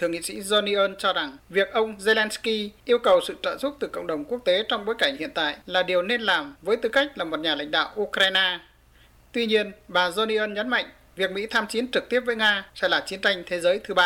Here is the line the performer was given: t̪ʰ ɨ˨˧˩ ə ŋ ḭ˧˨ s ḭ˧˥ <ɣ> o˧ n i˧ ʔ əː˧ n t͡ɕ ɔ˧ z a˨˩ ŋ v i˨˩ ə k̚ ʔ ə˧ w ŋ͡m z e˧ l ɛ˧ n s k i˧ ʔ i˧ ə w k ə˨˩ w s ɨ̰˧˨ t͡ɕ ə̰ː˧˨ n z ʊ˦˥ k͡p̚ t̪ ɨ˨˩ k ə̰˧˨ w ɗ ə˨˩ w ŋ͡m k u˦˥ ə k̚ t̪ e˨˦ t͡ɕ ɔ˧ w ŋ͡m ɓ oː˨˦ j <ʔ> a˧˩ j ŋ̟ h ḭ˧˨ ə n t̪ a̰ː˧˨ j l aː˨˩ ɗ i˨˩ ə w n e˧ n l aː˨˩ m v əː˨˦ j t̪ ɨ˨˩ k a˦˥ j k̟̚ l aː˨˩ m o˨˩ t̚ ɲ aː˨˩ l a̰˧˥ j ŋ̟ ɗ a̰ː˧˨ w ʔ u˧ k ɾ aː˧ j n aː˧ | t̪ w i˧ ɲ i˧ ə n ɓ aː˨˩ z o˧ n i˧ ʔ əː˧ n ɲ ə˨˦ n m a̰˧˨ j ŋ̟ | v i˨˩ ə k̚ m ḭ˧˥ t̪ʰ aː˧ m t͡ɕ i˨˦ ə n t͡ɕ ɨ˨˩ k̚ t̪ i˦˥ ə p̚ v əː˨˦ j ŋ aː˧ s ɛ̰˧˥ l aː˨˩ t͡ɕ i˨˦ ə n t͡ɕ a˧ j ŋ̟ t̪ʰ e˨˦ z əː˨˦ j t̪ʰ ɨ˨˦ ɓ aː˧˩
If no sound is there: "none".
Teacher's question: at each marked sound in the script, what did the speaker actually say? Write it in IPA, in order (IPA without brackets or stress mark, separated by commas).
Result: z, k